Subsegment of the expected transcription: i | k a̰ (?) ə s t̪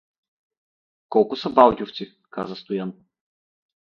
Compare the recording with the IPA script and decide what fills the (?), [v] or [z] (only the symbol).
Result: z